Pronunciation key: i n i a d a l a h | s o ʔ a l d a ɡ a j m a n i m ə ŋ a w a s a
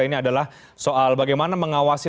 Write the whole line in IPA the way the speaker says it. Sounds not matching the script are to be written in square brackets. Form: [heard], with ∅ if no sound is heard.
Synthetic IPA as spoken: i n i a d a l a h | s o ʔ a l [b] a ɡ a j m a n [a] m ə ŋ a w a s [i]